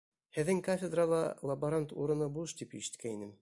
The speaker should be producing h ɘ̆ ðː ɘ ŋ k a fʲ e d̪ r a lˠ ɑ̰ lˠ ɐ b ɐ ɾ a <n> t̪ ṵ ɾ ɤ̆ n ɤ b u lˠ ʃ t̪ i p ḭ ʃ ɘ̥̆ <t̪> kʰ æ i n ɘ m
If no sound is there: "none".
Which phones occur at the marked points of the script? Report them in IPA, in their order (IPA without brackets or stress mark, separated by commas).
n, t̪